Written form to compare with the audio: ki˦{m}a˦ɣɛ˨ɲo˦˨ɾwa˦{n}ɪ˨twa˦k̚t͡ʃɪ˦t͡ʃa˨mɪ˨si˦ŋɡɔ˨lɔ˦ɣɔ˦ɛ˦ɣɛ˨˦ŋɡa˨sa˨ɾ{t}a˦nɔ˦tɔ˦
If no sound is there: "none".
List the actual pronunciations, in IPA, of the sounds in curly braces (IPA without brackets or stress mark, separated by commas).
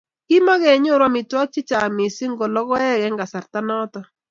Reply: m, m, t